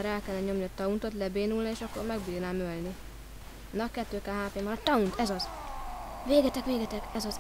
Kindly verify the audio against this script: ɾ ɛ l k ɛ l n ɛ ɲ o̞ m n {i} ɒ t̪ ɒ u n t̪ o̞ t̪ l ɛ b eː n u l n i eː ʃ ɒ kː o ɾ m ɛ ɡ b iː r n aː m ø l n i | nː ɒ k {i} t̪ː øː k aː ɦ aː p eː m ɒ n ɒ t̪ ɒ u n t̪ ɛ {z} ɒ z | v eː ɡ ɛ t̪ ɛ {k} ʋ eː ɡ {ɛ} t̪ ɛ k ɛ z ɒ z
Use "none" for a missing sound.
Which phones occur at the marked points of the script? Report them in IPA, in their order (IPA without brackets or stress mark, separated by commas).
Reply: i, ɛ, z, k, ɛ